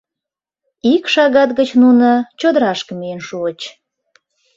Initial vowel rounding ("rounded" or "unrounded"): unrounded